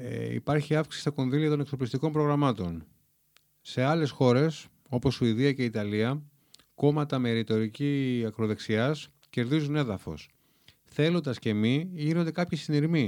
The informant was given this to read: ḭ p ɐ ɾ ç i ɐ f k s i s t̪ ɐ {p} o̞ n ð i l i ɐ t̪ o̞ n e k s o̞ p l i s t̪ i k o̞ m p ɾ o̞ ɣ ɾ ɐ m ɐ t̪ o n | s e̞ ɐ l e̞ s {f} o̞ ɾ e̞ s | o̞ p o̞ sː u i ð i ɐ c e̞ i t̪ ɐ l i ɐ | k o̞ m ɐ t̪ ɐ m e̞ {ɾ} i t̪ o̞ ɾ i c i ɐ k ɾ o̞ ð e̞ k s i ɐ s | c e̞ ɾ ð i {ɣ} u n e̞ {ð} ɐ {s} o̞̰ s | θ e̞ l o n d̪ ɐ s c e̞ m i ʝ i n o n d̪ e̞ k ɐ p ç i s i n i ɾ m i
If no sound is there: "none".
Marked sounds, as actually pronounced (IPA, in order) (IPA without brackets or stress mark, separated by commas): k, x, ɾ, z, ð, f